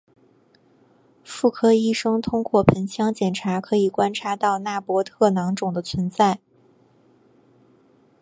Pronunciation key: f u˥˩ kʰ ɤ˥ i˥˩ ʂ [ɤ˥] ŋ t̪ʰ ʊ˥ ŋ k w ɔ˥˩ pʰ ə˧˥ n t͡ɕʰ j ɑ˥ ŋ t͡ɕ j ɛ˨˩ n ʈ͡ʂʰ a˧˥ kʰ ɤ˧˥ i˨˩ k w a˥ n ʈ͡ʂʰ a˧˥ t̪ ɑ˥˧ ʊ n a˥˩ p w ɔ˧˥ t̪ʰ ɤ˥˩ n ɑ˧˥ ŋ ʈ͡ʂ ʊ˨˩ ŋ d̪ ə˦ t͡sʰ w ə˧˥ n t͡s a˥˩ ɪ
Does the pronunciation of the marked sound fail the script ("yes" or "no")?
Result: no